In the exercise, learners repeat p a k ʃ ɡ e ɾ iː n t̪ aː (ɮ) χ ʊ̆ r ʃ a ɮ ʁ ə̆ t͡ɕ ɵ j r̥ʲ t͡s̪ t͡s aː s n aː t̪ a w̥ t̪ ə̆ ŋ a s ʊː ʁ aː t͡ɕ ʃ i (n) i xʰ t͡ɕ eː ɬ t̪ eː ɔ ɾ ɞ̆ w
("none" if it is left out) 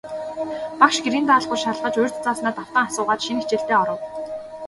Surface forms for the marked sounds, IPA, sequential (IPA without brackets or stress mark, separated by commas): ɮ, n